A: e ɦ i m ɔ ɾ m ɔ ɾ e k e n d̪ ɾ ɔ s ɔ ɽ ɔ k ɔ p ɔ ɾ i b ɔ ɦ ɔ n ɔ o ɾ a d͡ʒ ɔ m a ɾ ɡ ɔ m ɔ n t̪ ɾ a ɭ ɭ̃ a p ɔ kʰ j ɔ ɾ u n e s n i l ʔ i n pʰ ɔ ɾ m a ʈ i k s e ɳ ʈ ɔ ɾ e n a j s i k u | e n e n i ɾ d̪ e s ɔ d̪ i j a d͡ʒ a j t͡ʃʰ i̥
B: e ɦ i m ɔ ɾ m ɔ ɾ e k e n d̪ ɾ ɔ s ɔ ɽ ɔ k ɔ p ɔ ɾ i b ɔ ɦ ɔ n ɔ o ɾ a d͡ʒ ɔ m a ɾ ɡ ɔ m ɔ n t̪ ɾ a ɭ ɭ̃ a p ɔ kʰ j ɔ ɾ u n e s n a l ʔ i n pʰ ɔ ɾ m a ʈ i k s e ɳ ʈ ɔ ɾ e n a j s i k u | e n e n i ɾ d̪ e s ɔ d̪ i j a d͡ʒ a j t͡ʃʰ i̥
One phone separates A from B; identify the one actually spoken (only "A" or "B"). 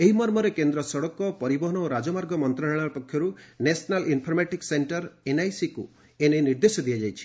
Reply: B